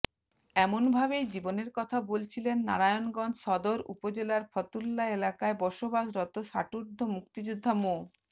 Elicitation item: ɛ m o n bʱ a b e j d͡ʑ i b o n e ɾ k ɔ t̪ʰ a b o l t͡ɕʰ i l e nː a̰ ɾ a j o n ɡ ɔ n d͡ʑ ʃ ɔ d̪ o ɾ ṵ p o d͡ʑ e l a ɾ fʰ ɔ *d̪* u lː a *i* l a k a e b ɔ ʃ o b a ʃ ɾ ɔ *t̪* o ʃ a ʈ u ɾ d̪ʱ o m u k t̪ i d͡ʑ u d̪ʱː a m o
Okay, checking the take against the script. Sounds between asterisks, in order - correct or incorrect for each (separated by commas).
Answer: incorrect, incorrect, correct